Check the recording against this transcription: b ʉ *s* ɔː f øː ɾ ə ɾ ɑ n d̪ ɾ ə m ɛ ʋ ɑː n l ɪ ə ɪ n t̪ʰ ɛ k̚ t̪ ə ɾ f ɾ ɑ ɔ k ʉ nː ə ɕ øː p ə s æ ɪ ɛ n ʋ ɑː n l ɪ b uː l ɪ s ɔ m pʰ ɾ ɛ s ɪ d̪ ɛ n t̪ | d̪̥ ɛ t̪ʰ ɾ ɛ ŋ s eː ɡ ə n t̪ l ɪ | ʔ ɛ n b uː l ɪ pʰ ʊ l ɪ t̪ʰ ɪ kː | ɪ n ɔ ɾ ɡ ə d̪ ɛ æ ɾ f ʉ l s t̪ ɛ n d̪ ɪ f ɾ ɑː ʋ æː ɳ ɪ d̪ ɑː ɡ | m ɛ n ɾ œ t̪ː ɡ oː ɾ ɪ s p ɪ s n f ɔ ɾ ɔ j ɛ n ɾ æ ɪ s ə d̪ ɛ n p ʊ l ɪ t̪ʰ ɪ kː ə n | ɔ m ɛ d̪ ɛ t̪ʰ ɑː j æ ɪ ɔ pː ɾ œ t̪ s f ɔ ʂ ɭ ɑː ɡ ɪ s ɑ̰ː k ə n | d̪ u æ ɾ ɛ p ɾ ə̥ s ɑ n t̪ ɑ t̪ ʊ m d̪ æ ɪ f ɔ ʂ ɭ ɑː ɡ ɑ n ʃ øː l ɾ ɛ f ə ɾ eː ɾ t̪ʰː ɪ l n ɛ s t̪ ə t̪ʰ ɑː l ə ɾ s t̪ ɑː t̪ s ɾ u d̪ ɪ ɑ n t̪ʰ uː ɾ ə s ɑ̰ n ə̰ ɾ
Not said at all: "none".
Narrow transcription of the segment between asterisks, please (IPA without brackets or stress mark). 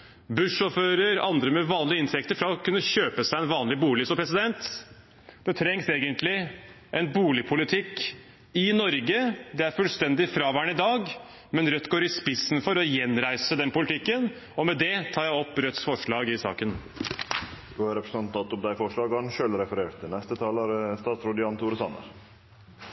ʂ